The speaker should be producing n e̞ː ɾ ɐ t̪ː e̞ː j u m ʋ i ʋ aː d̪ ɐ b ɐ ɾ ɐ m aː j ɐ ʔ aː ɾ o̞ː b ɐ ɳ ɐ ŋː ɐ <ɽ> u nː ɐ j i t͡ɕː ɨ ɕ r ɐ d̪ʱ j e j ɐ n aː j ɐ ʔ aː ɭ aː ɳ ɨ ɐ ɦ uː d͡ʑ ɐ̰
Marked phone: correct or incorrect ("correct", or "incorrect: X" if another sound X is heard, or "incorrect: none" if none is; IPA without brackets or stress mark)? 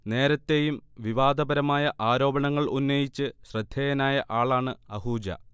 incorrect: ɭ